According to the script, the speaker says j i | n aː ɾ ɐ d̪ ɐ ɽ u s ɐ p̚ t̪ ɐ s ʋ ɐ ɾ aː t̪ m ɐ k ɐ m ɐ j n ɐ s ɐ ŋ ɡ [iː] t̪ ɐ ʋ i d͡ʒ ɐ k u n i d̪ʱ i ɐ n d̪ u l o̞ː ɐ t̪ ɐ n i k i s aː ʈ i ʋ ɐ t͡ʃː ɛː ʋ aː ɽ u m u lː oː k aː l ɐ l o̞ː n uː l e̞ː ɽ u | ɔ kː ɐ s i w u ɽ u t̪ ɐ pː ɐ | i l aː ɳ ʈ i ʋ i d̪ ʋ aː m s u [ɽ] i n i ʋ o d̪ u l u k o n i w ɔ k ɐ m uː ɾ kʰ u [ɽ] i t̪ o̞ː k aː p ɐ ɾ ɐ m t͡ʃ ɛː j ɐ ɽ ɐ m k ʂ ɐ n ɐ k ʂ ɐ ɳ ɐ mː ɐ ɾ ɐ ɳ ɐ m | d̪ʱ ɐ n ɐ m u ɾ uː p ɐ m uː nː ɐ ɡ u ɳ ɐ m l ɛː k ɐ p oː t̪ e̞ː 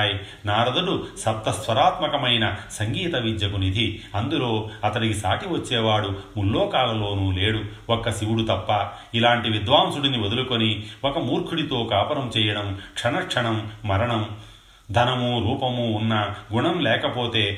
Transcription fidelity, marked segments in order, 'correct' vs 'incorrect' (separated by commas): correct, correct, correct